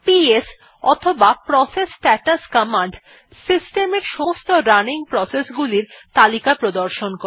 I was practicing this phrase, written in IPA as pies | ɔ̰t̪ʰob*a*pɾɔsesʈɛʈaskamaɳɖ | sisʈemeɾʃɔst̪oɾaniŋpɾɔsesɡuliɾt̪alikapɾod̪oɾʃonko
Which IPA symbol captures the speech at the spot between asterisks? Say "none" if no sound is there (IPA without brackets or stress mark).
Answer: a